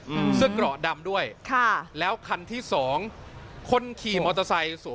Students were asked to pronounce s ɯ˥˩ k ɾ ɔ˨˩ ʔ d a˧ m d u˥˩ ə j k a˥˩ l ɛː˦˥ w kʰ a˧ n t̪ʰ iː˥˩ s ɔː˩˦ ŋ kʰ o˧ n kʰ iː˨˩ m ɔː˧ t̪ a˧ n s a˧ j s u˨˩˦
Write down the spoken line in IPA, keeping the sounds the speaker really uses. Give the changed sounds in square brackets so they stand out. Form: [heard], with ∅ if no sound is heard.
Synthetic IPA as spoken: s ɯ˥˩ k ɾ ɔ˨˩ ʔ d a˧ m d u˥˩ ə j [kʰ] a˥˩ l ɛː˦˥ w kʰ a˧ n t̪ʰ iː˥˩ s ɔː˩˦ ŋ kʰ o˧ n kʰ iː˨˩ m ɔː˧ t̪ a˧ [∅] s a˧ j s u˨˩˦

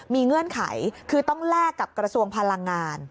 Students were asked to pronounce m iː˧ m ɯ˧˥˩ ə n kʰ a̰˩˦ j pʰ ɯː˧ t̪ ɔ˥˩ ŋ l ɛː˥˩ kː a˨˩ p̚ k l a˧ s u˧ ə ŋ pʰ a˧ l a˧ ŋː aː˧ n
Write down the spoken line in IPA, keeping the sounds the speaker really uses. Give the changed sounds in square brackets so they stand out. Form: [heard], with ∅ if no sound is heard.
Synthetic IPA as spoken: m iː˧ [ŋ] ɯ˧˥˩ ə n kʰ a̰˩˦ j [kʰ] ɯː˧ t̪ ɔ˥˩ ŋ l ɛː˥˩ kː a˨˩ p̚ k [ɾ] a˧ s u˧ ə ŋ pʰ a˧ l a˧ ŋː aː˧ n

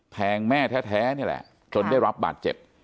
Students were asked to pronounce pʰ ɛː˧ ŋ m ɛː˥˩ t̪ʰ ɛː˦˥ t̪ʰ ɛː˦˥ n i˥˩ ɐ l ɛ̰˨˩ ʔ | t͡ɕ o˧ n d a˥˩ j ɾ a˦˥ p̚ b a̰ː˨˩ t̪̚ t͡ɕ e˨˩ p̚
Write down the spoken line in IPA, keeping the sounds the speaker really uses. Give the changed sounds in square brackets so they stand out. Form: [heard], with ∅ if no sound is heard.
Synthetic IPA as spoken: pʰ ɛː˧ ŋ m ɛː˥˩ t̪ʰ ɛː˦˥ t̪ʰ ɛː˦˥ n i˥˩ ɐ l ɛ̰˨˩ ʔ | t͡ɕ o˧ n d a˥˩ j ɾ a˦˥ p̚ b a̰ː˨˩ t̪̚ t͡ɕ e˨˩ p̚

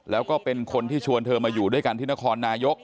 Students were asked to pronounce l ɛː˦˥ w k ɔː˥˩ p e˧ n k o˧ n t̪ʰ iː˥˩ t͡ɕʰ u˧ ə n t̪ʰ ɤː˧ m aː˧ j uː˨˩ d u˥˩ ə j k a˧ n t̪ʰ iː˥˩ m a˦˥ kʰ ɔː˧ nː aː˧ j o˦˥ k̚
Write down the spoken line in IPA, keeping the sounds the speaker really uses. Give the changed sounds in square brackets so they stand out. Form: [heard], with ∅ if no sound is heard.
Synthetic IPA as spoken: l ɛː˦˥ w k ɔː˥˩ p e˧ n [kʰ] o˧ n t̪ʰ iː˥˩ t͡ɕʰ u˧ ə n t̪ʰ ɤː˧ m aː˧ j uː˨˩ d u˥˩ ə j k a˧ n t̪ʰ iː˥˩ [n] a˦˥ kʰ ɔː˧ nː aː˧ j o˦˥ k̚

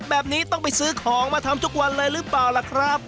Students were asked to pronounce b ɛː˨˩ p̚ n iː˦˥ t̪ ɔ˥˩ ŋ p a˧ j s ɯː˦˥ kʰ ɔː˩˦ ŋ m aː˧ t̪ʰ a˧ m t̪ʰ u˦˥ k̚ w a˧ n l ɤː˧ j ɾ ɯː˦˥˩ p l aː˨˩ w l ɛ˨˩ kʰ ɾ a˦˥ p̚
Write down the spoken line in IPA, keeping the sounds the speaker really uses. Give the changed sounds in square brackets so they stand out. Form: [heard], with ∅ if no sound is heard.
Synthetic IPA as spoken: b ɛː˨˩ p̚ n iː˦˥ t̪ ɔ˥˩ ŋ p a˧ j s ɯː˦˥ kʰ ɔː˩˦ ŋ m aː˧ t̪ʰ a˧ m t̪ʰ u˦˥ k̚ w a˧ n l ɤː˧ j ɾ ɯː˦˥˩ p l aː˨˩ w l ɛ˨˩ kʰ ɾ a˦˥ p̚

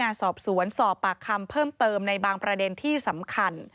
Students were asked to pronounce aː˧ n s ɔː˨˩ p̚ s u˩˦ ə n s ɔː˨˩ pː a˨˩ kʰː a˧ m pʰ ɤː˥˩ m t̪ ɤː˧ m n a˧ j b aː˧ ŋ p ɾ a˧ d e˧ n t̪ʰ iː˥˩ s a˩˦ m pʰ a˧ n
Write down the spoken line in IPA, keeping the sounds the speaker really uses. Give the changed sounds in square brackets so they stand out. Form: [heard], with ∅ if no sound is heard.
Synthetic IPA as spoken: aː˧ n s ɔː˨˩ p̚ s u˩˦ ə n s ɔː˨˩ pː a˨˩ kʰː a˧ m pʰ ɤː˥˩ m t̪ ɤː˧ m n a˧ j b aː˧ ŋ p ɾ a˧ d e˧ n t̪ʰ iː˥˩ s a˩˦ m [kʰ] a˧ n

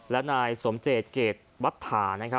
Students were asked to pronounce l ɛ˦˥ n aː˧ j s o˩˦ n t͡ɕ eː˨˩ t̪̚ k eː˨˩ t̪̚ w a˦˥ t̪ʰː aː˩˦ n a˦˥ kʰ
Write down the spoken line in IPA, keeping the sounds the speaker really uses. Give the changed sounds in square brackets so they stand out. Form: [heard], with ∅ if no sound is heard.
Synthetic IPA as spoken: l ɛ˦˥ n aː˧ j s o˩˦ [m] t͡ɕ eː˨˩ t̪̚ k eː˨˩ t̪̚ w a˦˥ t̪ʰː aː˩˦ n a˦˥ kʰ

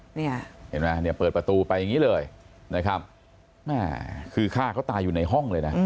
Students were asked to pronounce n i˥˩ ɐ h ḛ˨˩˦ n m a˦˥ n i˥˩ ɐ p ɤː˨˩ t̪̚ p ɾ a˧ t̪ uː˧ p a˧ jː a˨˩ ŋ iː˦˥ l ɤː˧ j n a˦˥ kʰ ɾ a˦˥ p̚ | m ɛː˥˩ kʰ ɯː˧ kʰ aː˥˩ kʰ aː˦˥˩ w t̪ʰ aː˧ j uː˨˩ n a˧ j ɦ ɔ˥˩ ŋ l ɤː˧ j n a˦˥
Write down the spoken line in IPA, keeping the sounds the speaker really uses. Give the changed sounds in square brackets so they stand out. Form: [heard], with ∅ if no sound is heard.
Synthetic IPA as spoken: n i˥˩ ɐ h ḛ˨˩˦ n m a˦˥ n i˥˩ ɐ p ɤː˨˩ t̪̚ p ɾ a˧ t̪ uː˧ p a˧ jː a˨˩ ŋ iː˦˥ l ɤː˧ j n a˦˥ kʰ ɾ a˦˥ p̚ | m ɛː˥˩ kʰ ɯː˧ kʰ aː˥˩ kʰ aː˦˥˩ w [t̪] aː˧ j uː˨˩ n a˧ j ɦ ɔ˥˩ ŋ l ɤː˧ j n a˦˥

